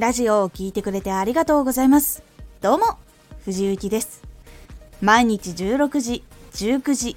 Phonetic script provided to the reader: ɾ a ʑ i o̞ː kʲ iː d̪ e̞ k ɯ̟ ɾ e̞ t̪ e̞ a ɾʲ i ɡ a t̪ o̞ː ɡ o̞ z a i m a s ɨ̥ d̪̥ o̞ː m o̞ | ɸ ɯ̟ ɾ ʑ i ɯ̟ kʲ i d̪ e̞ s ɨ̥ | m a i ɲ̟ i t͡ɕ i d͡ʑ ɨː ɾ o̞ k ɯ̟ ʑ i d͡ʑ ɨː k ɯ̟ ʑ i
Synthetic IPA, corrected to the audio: ɾ a ʑ i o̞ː kʲ iː t̪ e̞ k ɯ̟ ɾ e̞ t̪ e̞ a ɾʲ i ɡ a t̪ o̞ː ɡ o̞ z a i m a s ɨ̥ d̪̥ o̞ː m o̞ | ɸ ɯ̟ ʑ i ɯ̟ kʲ i d̪ e̞ s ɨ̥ | m a i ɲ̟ i t͡ɕ i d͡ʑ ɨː ɾ o̞ k ɯ̟ ʑ i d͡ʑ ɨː k ɯ̟ ʑ i